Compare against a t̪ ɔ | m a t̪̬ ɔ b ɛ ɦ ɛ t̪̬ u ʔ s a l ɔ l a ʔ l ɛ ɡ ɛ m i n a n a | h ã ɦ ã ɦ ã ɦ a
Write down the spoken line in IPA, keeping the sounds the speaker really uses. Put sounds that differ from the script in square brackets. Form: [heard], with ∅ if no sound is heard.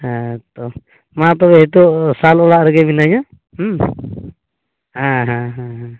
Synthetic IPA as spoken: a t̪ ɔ | m a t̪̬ ɔ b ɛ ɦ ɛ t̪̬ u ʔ s a l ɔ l a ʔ [ɾ] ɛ ɡ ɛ m i n a [ɲ] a | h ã ɦ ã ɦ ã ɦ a